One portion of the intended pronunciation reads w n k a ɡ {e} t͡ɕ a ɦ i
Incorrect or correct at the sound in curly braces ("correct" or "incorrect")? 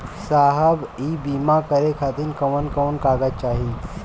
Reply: incorrect